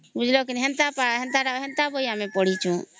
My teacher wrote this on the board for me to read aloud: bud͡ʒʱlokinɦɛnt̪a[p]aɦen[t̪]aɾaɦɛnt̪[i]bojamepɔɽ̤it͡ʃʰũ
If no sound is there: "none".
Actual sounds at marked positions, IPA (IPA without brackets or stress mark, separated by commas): p, t̪, a